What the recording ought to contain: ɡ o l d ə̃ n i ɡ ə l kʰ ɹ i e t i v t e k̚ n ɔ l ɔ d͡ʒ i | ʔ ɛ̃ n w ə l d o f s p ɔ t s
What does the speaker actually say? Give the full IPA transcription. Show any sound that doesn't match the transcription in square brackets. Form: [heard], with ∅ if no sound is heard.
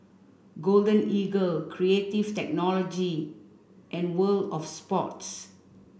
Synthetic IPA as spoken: ɡ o l d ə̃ n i ɡ ə l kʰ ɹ i e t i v t [ɛ] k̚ n ɔ l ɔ d͡ʒ i | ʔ ɛ̃ n w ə l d [ɔ] f s p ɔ t s

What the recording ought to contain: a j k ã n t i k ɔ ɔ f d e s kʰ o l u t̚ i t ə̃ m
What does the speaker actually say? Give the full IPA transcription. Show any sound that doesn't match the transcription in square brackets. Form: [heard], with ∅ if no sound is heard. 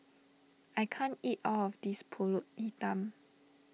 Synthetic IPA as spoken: a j [kʰ] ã n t i [t] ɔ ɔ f d [i] s [pʰ] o l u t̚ i t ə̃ m

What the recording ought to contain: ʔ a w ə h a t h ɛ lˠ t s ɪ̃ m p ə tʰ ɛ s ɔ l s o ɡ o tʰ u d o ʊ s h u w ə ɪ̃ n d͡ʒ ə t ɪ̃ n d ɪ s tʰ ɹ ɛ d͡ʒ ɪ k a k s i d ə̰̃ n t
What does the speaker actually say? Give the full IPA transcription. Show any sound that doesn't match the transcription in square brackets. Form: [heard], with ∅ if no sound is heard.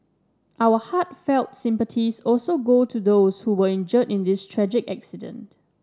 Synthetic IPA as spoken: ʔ a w ə h a t [f] ɛ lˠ t s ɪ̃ m p ə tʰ [i] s ɔ l s o ɡ o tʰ u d o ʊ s h u w ə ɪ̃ n d͡ʒ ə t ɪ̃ n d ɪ s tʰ ɹ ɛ d͡ʒ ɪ k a k s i d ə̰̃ n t

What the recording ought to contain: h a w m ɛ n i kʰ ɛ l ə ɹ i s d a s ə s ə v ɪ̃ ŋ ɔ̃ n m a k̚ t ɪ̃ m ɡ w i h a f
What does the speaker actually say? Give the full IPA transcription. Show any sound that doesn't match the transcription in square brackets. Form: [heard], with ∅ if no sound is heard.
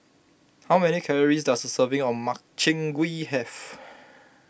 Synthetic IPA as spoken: h a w m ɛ n i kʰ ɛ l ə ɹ i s d a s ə s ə v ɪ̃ ŋ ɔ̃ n m a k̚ [t͡ʃ] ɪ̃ [ŋ] ɡ w i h [ɛ] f

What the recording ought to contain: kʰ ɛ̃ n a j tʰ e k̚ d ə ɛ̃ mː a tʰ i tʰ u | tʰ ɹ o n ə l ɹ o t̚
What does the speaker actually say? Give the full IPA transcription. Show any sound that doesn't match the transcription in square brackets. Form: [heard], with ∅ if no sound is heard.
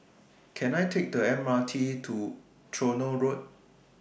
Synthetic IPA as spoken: kʰ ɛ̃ n a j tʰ e k̚ d ə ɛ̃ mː a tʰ i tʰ u | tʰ ɹ o n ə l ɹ o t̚

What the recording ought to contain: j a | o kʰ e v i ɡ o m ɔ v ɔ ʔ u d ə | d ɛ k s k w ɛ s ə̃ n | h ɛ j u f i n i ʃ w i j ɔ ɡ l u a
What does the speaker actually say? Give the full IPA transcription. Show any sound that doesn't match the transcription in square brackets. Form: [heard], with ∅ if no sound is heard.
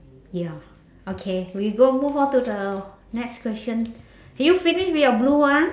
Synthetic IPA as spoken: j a | o kʰ e [w] i ɡ o m [u] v ɔ [t] u d ə | [n] ɛ k s k w ɛ s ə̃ n | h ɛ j u f i n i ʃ w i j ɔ [b] l u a

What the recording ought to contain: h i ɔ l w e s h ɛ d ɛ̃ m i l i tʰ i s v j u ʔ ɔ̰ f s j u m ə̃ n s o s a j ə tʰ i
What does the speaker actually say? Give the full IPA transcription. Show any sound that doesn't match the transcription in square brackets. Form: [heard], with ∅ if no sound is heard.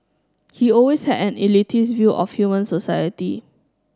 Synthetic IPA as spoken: h i ɔ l w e s h ɛ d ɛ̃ [n] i l i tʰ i s v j u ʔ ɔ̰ f [h] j u m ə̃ n s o s a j ə [t] i

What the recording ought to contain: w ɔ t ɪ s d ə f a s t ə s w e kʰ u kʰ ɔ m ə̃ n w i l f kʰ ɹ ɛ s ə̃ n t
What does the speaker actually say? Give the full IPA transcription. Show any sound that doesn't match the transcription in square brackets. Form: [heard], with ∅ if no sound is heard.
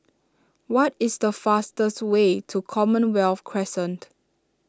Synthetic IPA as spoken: w ɔ t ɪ s d ə f a s t ə s w e [tʰ] u kʰ ɔ m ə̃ n w [ɛ] l f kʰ ɹ ɛ s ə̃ n t

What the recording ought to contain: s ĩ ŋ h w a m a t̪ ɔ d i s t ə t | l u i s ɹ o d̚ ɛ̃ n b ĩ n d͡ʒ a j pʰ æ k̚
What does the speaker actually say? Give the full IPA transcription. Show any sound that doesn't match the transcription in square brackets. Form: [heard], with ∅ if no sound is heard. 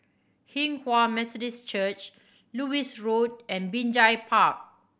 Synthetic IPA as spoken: [h] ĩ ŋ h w a m [ɛ] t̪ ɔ d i s [t͡ʃ] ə [t͡ʃ] | l u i s ɹ o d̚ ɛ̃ n b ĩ n d͡ʒ a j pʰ [a] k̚

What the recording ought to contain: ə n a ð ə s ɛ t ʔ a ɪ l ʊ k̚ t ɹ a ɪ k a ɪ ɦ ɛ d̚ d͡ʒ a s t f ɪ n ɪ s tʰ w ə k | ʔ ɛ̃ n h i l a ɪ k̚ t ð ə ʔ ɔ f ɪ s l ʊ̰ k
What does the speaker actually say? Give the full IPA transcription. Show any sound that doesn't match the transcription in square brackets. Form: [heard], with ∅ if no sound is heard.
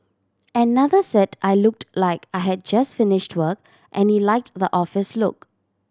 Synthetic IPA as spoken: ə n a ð ə s ɛ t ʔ a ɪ l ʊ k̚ t [l] a ɪ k a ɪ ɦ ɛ d̚ d͡ʒ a s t f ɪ n ɪ [ʃ] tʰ w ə k | ʔ ɛ̃ n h i l a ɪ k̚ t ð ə ʔ ɔ f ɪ s l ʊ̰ k

